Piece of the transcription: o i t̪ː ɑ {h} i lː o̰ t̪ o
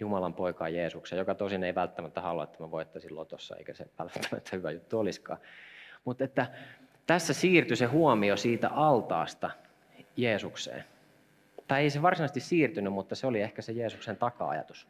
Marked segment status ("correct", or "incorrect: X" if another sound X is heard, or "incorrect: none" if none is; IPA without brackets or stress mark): incorrect: s